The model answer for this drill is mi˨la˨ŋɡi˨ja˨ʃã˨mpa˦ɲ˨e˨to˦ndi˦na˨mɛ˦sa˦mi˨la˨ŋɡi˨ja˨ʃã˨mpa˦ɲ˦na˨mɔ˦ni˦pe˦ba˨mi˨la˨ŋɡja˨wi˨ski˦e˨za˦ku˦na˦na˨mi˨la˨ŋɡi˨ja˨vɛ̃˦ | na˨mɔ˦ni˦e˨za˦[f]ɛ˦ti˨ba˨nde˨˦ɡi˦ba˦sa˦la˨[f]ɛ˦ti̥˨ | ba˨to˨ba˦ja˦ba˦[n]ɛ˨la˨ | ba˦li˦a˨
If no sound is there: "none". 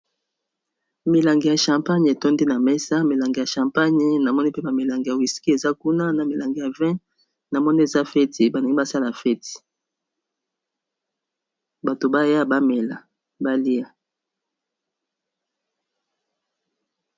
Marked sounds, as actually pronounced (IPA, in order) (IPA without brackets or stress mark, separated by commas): f, f, m